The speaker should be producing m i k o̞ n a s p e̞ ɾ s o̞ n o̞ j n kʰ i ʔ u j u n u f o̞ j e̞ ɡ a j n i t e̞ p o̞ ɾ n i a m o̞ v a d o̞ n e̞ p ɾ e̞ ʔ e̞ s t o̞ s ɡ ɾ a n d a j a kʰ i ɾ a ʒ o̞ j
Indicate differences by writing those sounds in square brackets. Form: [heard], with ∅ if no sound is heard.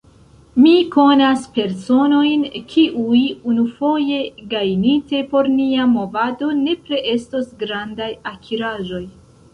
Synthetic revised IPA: m i k o̞ n a s p e̞ ɾ s o̞ n o̞ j n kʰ i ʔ u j u n u f o̞ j e̞ ɡ a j n i t e̞ p o̞ ɾ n i a m o̞ v a d o̞ n e̞ p ɾ e̞ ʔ e̞ s t o̞ s ɡ ɾ a n d a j a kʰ i ɾ a ʒ o̞ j

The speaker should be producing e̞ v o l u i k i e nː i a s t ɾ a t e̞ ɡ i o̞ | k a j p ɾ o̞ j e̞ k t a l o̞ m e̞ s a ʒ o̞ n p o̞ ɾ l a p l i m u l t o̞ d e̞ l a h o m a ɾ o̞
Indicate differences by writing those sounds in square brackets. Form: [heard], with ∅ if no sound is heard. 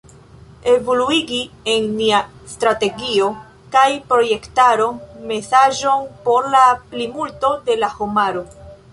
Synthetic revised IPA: e̞ v o l u i [ɡ] i e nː i a s t ɾ a t e̞ ɡ i o̞ | k a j p ɾ o̞ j e̞ k t a [ɾ] o̞ m e̞ s a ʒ o̞ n p o̞ ɾ l a p l i m u l t o̞ d e̞ l a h o m a ɾ o̞

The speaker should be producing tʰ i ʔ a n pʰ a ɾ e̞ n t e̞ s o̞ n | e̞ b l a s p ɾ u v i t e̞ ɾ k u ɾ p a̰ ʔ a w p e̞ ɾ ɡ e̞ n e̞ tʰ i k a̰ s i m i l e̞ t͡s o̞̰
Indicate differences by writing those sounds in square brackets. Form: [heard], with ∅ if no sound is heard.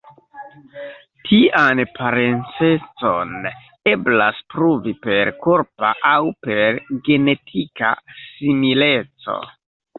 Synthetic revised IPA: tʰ i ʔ a n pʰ a ɾ e̞ n [t͡s] e̞ [t͡s] o̞ n | e̞ b l a s p ɾ u v i [p] e̞ ɾ k [o] ɾ p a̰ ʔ a w p e̞ ɾ ɡ e̞ n e̞ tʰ i k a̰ s i m i l e̞ t͡s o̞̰

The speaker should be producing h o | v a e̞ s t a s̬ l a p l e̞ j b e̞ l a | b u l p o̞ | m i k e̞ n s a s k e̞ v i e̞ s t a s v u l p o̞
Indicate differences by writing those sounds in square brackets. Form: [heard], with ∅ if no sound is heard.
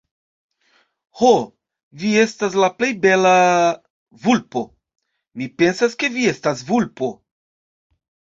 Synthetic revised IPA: h o | v [i] e̞ s t a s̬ l a p l e̞ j b e̞ l a | [v] u l p o̞ | m i [p] e̞ n s a s k e̞ v i e̞ s t a s v u l p o̞

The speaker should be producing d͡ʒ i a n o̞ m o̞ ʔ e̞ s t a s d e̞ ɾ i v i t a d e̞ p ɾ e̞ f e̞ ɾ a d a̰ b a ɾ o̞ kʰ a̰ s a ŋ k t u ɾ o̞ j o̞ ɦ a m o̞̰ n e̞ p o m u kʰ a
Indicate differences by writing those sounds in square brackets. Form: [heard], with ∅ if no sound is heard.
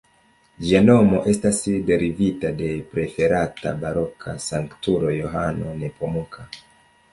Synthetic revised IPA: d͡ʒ i a n o̞ m o̞ ʔ e̞ s t a s d e̞ ɾ i v i t a d e̞ p ɾ e̞ f e̞ ɾ a [t] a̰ b a ɾ o̞ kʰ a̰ s a ŋ k t u ɾ o̞ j o̞ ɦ a [n] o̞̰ n e̞ p o m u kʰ a

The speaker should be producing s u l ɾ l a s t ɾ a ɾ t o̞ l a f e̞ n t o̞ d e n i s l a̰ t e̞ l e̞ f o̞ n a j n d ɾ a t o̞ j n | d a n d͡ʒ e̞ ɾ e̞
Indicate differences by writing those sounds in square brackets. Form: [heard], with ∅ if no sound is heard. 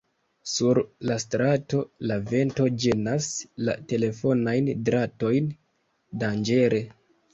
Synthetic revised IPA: s u [∅] ɾ l a s t ɾ a [∅] t o̞ l a [v] e̞ n t o̞ [d͡ʒ] e n [a] s l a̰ t e̞ l e̞ f o̞ n a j n d ɾ a t o̞ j n | d a n d͡ʒ e̞ ɾ e̞

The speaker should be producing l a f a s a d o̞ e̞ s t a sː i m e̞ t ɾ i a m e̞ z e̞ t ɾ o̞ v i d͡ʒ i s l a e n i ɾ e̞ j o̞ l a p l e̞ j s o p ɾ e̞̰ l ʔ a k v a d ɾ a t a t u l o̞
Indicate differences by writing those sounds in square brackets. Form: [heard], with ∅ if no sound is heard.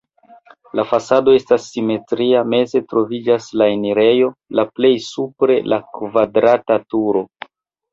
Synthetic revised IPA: l a f a s a d o̞ e̞ s t a sː i m e̞ t ɾ i a m e̞ z e̞ t ɾ o̞ v i d͡ʒ [a] s l a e n i ɾ e̞ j o̞ l a p l e̞ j s [u] p ɾ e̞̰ l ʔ a k v a d ɾ a t a t u [ɾ] o̞

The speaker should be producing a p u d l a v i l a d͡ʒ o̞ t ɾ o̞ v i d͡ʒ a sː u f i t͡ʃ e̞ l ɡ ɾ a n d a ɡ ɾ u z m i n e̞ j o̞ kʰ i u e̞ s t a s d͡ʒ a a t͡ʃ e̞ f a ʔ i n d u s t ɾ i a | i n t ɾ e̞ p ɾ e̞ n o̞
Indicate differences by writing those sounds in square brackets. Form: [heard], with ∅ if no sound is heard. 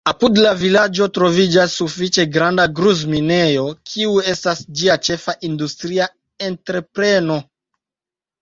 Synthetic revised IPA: a p u d l a v i l a d͡ʒ o̞ t ɾ o̞ v i d͡ʒ a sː u f i t͡ʃ e̞ [∅] ɡ ɾ a n d a ɡ ɾ u z m i n e̞ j o̞ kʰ i u e̞ s t a s d͡ʒ [i] a t͡ʃ e̞ f a ʔ i n d u s t ɾ i a | [e] n t ɾ e̞ p ɾ e̞ n o̞

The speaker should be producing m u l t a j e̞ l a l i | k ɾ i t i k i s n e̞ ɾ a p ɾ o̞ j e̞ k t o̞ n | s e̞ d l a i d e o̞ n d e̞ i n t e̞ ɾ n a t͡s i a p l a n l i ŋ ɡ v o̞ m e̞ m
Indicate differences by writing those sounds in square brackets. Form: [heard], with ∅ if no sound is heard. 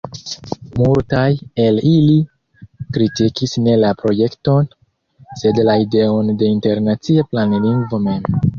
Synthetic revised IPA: m u l t a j e̞ l [i] l i | k ɾ i t i k i s n e̞ [l] a p ɾ o̞ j e̞ k t o̞ n | s e̞ d l a i d e o̞ n d e̞ i n t e̞ ɾ n a t͡s i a p l a n l i ŋ ɡ v o̞ m e̞ m

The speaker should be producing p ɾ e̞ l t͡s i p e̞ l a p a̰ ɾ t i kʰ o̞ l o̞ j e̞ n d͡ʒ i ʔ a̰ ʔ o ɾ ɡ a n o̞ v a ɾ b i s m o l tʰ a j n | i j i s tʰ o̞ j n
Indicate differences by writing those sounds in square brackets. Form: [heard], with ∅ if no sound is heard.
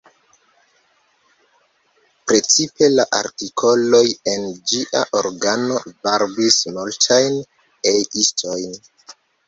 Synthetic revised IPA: p ɾ e̞ [∅] t͡s i p e̞ l a [ʔ] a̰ ɾ t i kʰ o̞ l o̞ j e̞ n d͡ʒ i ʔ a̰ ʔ o ɾ ɡ a n o̞ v a ɾ b i s m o l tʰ a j n | [e] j i s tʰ o̞ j n

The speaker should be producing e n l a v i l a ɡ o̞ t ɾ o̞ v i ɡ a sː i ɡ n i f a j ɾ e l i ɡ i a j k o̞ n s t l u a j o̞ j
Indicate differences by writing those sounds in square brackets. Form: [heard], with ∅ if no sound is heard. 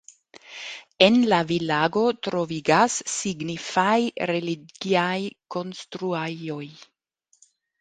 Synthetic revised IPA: e n l a v i l a ɡ o̞ t ɾ o̞ v i ɡ a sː i ɡ n i f a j ɾ e l i ɡ i a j k o̞ n s t [ɾ] u a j o̞ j

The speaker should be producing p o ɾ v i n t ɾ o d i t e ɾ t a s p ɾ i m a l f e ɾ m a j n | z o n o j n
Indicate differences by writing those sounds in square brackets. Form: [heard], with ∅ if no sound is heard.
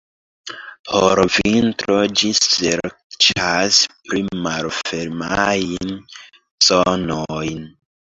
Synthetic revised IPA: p o ɾ v i n t ɾ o [d͡ʒ] i [s] e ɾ [t͡ʃ] a s p ɾ i m a l f e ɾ m a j n | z o n o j n

